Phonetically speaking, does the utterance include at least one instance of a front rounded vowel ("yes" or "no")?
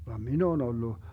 no